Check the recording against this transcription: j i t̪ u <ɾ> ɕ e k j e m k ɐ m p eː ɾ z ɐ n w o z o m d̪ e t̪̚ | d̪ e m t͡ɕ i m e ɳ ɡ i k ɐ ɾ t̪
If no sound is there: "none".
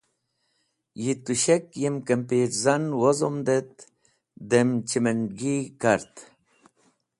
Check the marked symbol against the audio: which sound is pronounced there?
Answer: none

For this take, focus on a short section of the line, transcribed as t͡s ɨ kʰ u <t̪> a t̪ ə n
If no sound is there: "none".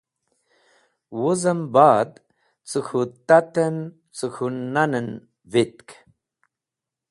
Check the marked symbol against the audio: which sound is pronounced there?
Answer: t̪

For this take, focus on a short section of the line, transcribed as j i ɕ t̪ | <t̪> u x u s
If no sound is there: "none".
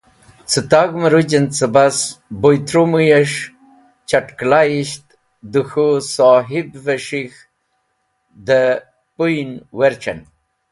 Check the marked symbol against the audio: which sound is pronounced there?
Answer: d̪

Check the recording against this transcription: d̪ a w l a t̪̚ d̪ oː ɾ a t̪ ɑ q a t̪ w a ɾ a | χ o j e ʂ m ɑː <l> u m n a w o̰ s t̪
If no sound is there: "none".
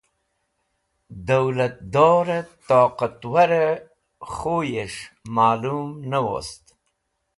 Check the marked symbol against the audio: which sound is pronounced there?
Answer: l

